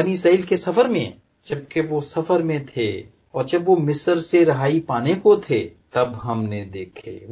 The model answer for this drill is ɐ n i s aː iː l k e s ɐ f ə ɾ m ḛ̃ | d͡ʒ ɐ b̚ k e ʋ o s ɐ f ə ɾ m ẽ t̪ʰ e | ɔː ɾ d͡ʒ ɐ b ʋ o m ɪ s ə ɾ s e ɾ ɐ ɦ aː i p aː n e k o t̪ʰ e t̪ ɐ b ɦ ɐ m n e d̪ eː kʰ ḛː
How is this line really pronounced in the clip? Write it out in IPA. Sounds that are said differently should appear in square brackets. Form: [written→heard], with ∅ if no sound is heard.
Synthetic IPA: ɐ n i s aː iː l k e s ɐ f ə ɾ m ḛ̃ | d͡ʒ ɐ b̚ k e ʋ o s ɐ f ə ɾ m ẽ t̪ʰ e | ɔː ɾ d͡ʒ ɐ b ʋ o m ɪ s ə ɾ s e ɾ ɐ ɦ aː i p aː n e k o t̪ʰ e t̪ ɐ b ɦ ɐ m n e d̪ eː kʰ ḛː